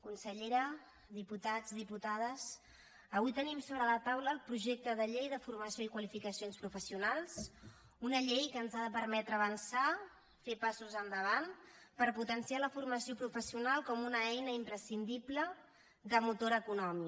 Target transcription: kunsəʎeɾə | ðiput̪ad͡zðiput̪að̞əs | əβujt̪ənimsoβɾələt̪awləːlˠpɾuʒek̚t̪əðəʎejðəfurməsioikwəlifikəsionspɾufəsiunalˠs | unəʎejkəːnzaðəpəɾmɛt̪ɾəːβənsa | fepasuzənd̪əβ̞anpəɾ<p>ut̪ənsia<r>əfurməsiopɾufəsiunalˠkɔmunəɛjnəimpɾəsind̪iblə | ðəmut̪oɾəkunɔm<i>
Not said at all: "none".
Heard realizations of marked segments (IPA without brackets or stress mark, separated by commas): p, l, i